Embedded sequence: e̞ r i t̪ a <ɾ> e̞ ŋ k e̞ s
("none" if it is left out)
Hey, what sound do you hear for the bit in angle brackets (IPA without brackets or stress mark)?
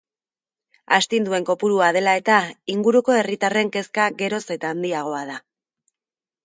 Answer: r